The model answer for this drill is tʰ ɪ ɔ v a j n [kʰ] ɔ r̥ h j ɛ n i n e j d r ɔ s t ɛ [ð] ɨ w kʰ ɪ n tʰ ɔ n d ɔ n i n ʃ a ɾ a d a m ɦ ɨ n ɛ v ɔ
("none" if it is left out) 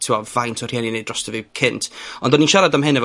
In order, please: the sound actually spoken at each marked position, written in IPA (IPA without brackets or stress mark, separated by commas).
tʰ, v